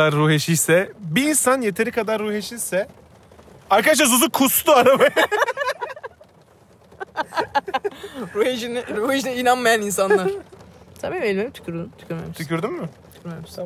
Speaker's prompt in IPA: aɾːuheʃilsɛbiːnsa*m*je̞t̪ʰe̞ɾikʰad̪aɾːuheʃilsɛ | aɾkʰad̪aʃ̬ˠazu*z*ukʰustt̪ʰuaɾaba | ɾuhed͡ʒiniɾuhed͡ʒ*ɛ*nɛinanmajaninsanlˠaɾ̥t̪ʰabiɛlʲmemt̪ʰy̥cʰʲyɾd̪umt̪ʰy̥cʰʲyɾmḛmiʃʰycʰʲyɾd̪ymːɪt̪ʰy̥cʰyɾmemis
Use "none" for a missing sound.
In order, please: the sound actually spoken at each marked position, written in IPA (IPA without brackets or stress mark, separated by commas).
n, z, i